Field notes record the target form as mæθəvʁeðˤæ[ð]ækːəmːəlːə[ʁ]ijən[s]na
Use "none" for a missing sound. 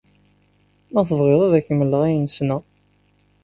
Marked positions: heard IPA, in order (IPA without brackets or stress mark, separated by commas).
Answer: ð, ʁ, s